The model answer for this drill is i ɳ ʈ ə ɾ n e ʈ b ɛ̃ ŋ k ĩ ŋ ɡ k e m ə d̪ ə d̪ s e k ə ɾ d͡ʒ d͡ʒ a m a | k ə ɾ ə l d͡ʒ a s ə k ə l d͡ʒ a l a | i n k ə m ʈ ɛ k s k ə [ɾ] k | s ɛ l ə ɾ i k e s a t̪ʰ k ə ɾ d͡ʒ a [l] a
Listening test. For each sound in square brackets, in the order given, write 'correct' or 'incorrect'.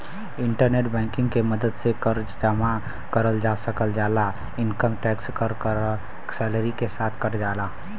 correct, correct

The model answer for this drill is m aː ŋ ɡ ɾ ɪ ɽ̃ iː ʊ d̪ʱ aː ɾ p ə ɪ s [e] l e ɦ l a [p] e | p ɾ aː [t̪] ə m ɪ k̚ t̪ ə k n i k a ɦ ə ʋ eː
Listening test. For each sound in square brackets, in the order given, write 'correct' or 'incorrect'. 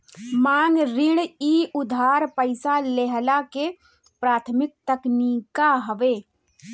incorrect: a, incorrect: k, incorrect: t̪ʰ

